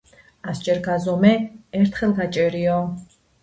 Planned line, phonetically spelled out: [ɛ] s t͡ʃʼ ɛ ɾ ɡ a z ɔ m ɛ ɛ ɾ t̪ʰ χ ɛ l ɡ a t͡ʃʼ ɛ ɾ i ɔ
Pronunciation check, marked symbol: incorrect: a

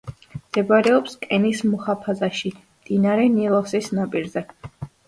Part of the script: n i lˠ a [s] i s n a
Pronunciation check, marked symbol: correct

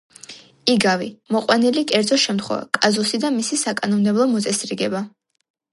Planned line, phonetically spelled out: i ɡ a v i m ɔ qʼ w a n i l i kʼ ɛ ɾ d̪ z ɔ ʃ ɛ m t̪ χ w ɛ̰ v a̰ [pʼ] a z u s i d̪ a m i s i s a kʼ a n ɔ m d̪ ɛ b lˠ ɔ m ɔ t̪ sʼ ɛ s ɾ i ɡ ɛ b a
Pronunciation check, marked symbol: incorrect: kʼ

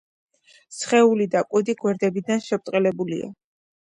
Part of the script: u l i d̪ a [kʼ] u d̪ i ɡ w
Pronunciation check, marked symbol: correct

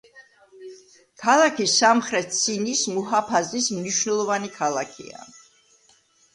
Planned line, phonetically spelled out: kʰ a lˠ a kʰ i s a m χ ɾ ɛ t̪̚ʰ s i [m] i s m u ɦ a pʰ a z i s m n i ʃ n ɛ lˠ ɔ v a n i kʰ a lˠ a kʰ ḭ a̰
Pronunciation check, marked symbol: incorrect: n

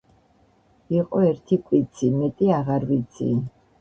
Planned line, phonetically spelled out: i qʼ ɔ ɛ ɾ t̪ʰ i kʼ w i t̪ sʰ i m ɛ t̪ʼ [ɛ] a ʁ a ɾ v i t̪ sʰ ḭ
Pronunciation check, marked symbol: incorrect: i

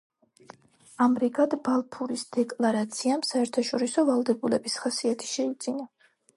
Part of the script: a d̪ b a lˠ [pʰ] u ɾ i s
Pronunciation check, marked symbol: correct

